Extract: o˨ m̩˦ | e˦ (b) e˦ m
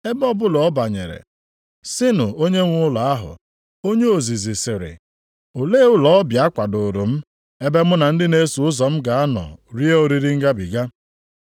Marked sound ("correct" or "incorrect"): correct